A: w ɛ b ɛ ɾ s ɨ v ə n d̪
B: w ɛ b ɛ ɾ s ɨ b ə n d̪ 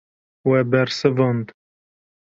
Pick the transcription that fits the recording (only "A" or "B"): A